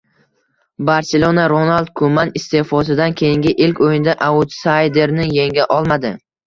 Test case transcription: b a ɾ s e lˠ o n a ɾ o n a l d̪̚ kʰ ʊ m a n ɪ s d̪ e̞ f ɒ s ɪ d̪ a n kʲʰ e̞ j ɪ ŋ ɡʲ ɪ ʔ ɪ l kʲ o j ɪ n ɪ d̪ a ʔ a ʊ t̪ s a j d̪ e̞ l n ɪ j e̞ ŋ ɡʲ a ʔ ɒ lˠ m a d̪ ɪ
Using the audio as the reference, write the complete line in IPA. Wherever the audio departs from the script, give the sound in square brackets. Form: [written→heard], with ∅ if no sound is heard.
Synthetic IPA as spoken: b a ɾ s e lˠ o n a ɾ o n a l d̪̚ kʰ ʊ m a n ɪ s [d̪→t̪] e̞ f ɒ s ɪ d̪ a n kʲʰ e̞ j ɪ ŋ ɡʲ ɪ ʔ ɪ l kʲ o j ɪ n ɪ d̪ a ʔ a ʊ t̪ s a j d̪ e̞ [l→ɾ] n ɪ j e̞ ŋ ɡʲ a ʔ ɒ lˠ m a d̪ ɪ